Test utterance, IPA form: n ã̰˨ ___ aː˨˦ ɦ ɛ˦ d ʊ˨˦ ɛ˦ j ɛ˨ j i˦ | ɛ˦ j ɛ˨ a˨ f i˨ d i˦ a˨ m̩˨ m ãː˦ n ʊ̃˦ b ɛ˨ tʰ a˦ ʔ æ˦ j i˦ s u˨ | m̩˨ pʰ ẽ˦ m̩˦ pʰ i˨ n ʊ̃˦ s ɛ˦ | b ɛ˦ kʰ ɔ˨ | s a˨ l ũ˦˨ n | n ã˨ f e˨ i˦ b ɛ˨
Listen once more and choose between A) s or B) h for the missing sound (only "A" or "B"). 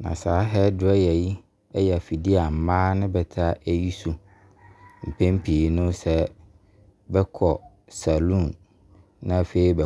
A